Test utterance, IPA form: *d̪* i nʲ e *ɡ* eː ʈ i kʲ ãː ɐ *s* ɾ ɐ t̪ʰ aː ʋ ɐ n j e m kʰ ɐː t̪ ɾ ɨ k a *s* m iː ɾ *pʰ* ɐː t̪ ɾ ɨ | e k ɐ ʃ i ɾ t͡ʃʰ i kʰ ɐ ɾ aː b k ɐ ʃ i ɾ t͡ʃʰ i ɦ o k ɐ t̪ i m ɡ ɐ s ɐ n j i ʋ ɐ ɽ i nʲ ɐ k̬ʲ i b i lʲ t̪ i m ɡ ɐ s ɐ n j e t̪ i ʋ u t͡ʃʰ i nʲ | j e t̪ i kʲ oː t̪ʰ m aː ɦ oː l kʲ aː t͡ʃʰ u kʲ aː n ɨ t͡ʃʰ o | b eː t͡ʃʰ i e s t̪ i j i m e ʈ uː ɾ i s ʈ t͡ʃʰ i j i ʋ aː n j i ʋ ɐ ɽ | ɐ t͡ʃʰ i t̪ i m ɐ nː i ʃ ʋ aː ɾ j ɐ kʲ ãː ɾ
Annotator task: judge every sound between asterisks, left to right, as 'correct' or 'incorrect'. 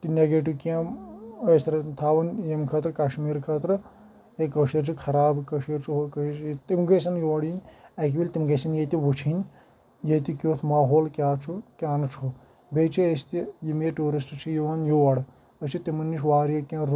incorrect, correct, correct, incorrect, incorrect

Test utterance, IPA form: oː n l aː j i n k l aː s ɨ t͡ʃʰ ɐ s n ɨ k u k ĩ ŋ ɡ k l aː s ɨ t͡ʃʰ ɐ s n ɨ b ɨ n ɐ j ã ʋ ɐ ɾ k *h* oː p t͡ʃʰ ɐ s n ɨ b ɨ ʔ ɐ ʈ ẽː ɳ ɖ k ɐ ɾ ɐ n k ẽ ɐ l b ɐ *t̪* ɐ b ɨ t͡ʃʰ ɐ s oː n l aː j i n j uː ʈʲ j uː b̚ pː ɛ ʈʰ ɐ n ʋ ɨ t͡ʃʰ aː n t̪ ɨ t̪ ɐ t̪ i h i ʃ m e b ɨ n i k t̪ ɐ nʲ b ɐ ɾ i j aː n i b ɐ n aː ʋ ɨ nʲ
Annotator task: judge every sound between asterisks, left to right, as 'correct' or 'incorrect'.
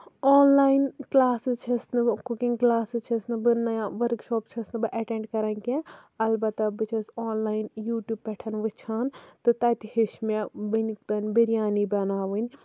incorrect, correct

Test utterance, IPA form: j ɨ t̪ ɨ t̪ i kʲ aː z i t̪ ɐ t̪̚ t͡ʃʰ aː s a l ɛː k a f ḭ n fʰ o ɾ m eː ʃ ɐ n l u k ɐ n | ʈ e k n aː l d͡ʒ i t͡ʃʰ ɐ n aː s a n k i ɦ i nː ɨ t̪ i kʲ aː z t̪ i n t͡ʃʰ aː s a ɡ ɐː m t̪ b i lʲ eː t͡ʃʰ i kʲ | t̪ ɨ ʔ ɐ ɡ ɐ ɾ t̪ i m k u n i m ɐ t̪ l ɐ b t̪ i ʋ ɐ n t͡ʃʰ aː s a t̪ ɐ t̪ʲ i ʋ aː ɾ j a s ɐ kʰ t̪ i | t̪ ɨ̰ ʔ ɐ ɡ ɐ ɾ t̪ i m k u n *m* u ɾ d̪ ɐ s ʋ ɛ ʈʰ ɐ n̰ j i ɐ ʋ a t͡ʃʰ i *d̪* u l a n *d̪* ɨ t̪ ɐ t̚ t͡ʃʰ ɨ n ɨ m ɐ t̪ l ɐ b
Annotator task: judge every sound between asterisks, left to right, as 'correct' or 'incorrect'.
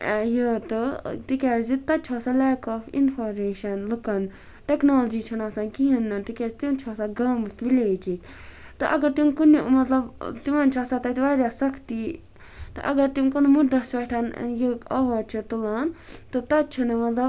correct, incorrect, incorrect

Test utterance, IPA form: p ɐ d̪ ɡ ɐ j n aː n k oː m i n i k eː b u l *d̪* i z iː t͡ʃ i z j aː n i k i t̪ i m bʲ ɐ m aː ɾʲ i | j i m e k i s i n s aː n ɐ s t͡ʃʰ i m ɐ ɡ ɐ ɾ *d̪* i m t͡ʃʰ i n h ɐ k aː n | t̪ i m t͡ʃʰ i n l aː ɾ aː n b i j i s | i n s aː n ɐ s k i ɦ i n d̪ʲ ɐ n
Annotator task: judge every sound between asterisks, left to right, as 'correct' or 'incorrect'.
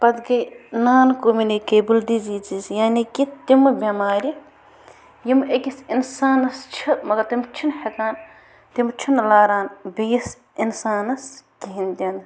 correct, incorrect

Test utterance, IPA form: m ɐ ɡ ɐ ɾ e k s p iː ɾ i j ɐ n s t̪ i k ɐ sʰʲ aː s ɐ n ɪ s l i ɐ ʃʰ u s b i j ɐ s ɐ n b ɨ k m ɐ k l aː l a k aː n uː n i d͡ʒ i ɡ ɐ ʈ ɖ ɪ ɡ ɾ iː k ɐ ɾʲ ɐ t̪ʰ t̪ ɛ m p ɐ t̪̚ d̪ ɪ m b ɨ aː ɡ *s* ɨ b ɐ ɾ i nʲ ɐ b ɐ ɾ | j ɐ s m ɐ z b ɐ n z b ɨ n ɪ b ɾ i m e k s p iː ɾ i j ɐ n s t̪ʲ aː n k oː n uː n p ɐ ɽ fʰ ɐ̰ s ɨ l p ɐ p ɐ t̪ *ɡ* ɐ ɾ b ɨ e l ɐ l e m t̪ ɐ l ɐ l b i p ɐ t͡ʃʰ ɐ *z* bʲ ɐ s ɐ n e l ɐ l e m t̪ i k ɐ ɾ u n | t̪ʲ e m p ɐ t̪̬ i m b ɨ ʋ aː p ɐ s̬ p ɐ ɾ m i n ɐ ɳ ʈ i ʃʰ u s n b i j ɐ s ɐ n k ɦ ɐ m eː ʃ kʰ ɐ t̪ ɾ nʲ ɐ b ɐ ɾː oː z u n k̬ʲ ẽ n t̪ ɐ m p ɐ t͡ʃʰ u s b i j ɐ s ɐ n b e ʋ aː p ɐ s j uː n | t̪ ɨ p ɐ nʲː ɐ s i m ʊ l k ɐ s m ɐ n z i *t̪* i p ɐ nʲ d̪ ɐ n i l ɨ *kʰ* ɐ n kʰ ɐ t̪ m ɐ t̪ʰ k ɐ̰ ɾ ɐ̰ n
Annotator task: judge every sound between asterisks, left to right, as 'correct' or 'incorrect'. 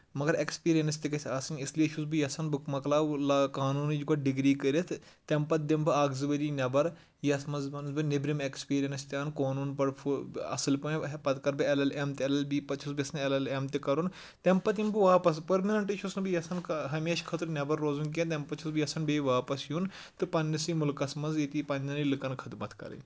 incorrect, incorrect, incorrect, correct, incorrect

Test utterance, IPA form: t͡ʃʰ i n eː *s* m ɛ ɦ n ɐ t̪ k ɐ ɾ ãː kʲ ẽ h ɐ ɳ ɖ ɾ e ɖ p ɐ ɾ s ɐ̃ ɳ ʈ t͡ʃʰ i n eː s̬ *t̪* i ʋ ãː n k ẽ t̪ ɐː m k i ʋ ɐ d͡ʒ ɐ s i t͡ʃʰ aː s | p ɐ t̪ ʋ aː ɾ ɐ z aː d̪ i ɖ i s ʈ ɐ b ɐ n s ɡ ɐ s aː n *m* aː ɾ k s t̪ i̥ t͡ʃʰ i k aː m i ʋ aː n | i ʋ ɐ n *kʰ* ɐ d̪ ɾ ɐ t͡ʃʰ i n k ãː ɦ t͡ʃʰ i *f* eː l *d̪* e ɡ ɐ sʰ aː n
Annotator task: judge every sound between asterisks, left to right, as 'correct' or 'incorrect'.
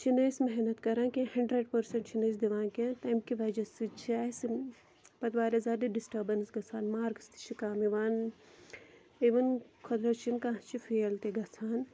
correct, incorrect, correct, correct, correct, incorrect

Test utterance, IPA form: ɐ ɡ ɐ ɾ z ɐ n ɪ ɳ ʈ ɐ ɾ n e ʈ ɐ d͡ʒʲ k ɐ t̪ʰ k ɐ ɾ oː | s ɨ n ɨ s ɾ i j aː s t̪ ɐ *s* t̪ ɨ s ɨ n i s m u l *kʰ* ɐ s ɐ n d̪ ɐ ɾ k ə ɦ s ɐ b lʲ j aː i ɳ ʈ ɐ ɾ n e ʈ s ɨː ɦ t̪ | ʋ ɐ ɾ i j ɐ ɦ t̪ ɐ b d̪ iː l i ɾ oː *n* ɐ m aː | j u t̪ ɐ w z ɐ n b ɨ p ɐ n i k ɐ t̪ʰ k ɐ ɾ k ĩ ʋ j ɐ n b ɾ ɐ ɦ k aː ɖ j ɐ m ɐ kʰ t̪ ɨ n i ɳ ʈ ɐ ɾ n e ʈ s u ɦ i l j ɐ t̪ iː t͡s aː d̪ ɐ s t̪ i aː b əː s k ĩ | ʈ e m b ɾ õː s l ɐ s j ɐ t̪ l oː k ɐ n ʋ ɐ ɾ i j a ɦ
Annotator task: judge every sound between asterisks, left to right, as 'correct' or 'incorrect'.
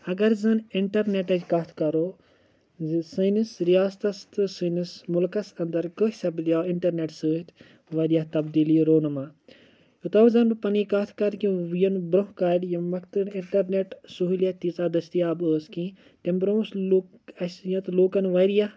correct, incorrect, correct

